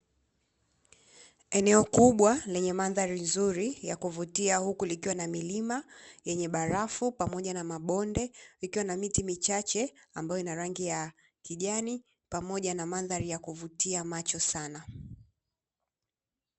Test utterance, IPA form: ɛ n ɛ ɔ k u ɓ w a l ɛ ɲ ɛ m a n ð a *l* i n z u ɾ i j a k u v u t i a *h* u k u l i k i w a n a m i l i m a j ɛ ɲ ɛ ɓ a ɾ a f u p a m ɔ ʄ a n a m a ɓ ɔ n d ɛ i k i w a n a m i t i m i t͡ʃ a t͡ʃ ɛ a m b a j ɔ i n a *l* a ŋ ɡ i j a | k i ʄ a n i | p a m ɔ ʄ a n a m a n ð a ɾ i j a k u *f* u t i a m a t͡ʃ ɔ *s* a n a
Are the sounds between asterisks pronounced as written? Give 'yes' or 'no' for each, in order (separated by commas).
no, yes, no, no, yes